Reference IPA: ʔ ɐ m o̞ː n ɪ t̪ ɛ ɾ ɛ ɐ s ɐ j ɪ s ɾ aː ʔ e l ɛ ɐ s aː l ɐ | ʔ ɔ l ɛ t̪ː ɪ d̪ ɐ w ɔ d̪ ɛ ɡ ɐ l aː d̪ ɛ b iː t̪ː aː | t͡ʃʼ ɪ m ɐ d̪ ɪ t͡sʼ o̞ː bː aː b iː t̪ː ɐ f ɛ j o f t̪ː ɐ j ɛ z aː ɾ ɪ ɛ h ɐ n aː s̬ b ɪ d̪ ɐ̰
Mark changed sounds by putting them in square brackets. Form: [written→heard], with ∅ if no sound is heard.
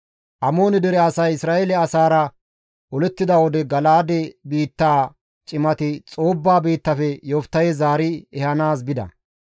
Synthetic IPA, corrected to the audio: ʔ ɐ m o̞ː n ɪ [t̪→d̪] ɛ ɾ ɛ ɐ s ɐ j ɪ s ɾ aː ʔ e l ɛ ɐ s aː [l→ɾ] ɐ | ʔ ɔ l ɛ t̪ː ɪ d̪ ɐ w ɔ d̪ ɛ ɡ ɐ l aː d̪ ɛ b iː t̪ː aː | t͡ʃʼ ɪ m ɐ [d̪→t̪] ɪ t͡sʼ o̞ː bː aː b iː t̪ː ɐ f ɛ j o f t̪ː ɐ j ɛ z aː ɾ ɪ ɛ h ɐ n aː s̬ b ɪ d̪ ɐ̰